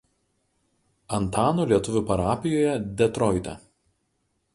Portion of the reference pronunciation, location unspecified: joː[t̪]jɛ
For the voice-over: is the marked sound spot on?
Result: no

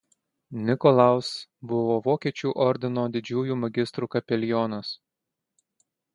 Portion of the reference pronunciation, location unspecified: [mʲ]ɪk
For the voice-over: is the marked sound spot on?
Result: no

